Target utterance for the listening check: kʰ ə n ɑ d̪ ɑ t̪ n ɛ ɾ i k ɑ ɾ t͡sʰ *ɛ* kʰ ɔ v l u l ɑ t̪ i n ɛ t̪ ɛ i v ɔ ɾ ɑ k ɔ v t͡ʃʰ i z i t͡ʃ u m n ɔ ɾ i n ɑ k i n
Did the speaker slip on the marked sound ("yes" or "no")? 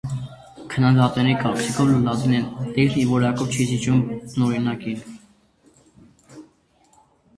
yes